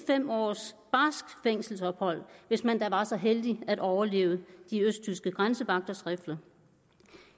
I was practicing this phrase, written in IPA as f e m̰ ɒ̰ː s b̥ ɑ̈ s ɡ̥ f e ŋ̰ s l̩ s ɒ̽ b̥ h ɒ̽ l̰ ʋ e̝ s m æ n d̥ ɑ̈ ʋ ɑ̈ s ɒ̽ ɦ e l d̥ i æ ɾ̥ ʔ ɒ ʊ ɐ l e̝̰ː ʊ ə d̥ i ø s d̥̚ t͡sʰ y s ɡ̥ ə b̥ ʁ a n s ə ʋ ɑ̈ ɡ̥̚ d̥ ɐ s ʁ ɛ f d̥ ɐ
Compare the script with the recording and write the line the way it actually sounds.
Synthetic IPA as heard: f e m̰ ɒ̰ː s b̥ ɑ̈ s ɡ̥ f e ŋ̰ s l̩ s ɒ̽ b̥ h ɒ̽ l̰ ʋ e̝ s m æ n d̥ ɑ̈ ʋ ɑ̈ s ɒ̽ ɦ e l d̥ i æ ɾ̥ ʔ ɒ ʊ ɐ l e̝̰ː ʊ ə d̥ i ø s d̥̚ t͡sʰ y s ɡ̥ ə ɡ̥ ʁ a n s ə ʋ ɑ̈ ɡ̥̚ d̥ ɐ s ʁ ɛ f d̥ ɐ

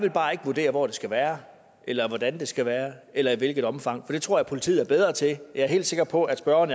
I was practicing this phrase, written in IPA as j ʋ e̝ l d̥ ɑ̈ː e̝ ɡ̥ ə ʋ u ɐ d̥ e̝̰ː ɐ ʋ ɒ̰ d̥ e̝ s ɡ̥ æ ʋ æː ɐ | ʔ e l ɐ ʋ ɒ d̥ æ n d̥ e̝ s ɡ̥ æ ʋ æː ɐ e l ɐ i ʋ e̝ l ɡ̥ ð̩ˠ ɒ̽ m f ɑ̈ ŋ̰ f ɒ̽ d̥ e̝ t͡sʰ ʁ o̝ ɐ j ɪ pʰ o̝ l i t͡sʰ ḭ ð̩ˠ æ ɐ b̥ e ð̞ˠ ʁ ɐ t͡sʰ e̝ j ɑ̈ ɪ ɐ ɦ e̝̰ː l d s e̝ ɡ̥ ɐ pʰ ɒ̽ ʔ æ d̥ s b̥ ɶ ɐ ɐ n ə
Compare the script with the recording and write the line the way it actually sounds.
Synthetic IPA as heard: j ʋ e̝ l b̥ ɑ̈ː e̝ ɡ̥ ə ʋ u ɐ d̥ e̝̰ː ɐ ʋ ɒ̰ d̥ e̝ s ɡ̥ æ ʋ æː ɐ | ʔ e l ɐ ʋ ɒ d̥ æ n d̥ e̝ s ɡ̥ æ ʋ æː ɐ e l ɐ i ʋ e̝ l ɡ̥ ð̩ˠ ɒ̽ m f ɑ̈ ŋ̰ f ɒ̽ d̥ e̝ t͡sʰ ʁ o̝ ɐ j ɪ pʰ o̝ l i t͡sʰ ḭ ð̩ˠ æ ɐ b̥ e ð̞ˠ ʁ ɐ t͡sʰ e̝ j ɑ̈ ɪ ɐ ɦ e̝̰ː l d s e̝ ɡ̥ ɐ pʰ ɒ̽ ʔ æ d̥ s b̥ ɶ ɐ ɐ n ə

